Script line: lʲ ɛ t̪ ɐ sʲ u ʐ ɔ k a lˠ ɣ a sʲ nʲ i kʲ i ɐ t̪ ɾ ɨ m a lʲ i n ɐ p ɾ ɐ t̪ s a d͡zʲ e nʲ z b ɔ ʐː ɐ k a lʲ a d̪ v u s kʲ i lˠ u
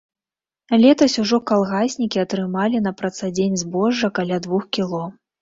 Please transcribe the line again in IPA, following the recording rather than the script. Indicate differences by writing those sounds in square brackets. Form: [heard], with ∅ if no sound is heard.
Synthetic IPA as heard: lʲ ɛ t̪ ɐ sʲ u ʐ ɔ k a lˠ ɣ a sʲ nʲ i kʲ i ɐ t̪ ɾ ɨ m a lʲ i n ɐ p ɾ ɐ t̪ s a d͡zʲ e nʲ z b ɔ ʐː ɐ k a lʲ a d̪ v u [x] kʲ i lˠ [ɔ]